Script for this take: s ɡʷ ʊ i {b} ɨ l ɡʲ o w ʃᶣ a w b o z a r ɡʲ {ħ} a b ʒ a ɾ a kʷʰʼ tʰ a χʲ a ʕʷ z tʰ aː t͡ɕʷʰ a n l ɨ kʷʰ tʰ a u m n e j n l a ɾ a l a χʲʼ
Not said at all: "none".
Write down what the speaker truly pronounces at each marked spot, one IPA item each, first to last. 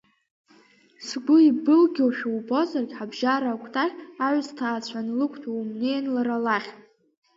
b, ħ

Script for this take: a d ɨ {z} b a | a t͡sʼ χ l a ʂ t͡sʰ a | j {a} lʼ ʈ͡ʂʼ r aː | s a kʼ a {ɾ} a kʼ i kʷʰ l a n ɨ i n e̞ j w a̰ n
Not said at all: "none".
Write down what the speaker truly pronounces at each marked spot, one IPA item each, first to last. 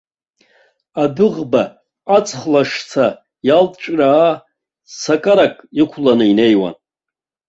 ʁ, a, ɾ

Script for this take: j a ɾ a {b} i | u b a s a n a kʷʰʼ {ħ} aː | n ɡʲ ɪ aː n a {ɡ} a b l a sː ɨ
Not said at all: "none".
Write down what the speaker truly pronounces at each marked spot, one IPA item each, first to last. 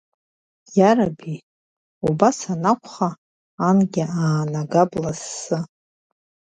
b, χ, ɡ

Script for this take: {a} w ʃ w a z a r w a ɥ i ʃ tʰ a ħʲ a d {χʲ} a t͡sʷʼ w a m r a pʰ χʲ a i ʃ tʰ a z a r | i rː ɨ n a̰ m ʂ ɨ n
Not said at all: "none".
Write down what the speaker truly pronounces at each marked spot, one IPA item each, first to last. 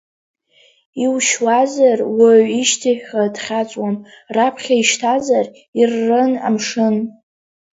i, χʲ

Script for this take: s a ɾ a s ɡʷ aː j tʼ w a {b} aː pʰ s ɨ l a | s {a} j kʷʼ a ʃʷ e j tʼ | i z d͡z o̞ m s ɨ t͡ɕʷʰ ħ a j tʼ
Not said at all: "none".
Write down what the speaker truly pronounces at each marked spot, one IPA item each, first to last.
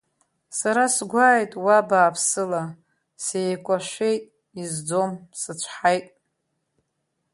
b, e

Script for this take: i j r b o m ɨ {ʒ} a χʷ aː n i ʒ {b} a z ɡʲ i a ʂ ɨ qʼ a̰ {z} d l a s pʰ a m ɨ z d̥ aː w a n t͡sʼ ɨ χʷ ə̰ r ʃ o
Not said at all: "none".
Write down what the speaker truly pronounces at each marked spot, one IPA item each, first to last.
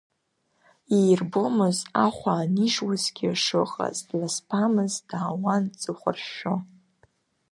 z, w, z

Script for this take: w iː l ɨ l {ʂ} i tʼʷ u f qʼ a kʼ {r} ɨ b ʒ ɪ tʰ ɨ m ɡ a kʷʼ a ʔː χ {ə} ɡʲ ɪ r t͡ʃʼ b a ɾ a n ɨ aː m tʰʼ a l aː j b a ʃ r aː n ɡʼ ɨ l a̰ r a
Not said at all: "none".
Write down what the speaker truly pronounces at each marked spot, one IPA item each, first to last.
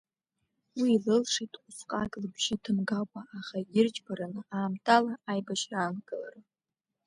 ʂ, l, a

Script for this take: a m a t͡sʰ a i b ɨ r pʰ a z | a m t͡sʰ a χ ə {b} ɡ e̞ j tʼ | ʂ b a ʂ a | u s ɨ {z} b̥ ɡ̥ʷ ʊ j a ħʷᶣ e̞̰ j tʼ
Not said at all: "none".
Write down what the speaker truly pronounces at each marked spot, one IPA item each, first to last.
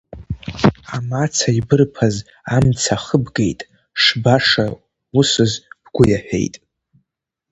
b, z

